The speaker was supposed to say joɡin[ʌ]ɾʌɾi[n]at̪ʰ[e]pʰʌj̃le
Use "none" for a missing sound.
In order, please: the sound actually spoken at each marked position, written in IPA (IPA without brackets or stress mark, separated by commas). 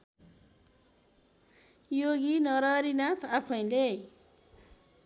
ʌ, n, a